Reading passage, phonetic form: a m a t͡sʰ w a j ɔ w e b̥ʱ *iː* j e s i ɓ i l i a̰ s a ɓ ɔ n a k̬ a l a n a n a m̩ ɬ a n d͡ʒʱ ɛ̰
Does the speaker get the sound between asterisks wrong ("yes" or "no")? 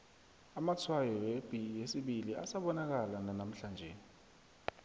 yes